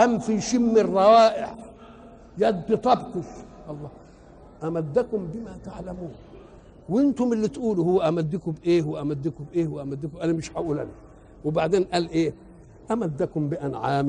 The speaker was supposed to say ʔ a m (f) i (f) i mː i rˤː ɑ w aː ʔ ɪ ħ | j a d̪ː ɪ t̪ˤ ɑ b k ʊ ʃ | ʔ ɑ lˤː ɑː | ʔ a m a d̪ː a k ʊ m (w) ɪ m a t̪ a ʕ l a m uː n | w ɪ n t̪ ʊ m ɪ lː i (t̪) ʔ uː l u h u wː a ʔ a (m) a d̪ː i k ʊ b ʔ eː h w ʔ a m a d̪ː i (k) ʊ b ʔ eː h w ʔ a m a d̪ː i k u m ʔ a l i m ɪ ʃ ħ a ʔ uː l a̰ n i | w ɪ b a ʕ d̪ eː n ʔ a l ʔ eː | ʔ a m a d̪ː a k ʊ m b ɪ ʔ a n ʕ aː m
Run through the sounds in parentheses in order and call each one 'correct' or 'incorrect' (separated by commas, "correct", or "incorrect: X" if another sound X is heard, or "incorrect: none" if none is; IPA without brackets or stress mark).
correct, incorrect: ʃ, incorrect: b, correct, correct, correct